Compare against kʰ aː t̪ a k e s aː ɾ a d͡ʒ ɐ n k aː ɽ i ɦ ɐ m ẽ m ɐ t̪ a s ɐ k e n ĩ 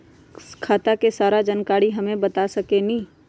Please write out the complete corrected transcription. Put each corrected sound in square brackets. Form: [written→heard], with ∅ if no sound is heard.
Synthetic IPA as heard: kʰ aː t̪ a k e s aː ɾ a d͡ʒ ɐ n k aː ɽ i ɦ ɐ m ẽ [m→b] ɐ t̪ a s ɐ k e n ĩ